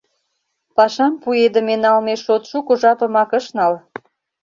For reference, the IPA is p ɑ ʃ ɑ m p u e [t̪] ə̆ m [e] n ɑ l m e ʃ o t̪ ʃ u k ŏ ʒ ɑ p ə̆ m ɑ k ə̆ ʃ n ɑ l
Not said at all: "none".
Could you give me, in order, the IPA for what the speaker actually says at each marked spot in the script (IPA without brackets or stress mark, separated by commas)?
d̪, e